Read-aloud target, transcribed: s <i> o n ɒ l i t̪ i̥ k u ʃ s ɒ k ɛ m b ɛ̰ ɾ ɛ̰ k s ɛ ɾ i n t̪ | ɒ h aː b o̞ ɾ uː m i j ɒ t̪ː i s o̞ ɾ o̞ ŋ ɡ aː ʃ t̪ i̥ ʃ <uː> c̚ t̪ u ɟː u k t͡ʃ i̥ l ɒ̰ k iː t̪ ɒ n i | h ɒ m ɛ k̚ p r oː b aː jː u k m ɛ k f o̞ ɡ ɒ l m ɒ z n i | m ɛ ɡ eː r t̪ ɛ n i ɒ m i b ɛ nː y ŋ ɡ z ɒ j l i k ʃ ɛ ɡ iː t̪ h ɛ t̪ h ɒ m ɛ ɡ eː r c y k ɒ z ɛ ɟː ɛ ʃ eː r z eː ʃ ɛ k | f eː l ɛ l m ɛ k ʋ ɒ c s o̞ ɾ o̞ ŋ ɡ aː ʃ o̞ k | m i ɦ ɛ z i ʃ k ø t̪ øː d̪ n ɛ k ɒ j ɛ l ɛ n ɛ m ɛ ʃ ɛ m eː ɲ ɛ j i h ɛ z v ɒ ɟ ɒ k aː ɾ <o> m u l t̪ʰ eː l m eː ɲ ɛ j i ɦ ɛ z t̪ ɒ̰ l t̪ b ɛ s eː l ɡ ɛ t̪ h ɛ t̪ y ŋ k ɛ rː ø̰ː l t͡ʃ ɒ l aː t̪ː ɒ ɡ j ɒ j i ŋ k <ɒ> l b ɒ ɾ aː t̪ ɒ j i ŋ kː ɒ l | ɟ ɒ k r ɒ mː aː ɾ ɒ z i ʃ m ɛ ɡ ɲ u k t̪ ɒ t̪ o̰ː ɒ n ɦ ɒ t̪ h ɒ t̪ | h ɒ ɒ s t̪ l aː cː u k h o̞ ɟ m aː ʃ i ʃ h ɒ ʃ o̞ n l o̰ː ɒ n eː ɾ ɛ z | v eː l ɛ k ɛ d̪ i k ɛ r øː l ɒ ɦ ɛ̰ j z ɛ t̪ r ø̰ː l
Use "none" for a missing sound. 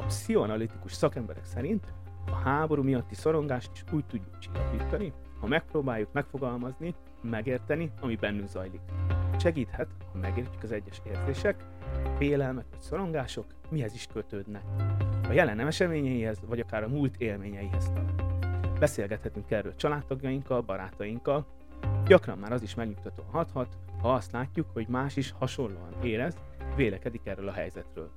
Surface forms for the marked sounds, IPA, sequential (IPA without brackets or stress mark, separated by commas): i, uː, ɒ, ɒ